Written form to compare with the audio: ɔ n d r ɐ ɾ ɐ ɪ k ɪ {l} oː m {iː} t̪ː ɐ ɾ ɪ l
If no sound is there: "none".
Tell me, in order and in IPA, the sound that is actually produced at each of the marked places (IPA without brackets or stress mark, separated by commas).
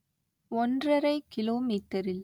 l, iː